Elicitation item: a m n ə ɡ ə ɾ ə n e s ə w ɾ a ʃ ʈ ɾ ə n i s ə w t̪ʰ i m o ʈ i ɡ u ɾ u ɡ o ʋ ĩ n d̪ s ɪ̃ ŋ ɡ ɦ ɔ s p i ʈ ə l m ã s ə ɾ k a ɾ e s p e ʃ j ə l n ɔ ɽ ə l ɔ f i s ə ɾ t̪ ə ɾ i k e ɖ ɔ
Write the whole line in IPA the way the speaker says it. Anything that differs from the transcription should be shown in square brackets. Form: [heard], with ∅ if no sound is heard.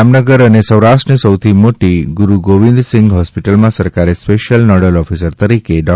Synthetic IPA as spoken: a m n ə ɡ ə ɾ ə n e s ə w ɾ a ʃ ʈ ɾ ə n i s ə w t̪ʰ i m o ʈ i ɡ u ɾ u ɡ o ʋ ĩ n d̪ s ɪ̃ ŋ ɡ ɦ ɔ s p i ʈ ə l m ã s ə ɾ k a ɾ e s p e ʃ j ə l n ɔ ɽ ə l ɔ f i s ə ɾ t̪ ə ɾ i k e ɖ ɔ